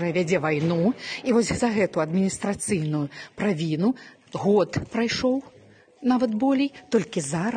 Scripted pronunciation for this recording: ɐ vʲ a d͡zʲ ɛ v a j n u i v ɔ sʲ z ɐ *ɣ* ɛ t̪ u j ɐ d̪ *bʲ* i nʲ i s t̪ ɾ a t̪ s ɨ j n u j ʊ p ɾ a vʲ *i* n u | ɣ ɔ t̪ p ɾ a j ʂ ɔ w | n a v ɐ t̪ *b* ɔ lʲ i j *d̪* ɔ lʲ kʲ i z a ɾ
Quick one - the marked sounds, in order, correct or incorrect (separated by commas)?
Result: correct, incorrect, correct, correct, incorrect